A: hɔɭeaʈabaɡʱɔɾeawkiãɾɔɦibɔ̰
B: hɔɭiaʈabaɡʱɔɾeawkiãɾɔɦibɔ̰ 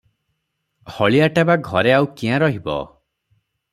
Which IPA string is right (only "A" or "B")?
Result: B